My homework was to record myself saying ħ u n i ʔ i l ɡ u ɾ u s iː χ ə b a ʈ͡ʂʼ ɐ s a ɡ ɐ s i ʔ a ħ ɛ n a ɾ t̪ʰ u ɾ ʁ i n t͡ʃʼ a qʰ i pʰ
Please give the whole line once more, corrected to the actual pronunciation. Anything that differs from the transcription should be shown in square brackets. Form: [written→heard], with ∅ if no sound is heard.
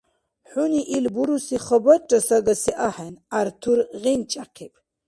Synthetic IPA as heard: ħ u n i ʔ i l [ɡ→b] u ɾ u s [iː→i] χ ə b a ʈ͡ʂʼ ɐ s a ɡ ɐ s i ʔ a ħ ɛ n a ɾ t̪ʰ u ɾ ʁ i n t͡ʃʼ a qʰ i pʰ